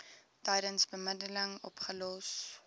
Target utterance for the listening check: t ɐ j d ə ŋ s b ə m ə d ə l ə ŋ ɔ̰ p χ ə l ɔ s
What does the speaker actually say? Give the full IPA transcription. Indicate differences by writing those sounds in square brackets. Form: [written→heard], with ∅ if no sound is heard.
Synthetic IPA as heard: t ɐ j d ə [ŋ→n] s b ə m ə d ə l ə ŋ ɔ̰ p χ ə l ɔ s